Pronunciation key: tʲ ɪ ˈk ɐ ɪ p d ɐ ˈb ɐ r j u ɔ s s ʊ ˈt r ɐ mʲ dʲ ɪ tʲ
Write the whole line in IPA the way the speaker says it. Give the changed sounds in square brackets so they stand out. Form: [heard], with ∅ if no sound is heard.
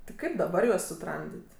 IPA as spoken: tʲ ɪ ˈk ɐ ɪ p d ɐ ˈb ɐ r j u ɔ s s ʊ ˈt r ɐ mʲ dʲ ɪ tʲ